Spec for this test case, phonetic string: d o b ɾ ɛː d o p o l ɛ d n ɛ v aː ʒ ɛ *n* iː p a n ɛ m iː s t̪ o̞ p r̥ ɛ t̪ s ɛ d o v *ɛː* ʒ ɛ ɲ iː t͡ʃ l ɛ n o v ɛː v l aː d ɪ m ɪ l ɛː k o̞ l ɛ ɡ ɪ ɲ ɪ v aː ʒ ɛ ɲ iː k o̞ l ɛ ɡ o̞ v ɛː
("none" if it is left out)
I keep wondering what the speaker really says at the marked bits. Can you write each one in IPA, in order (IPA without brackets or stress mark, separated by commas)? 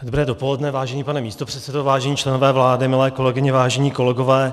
ɲ, aː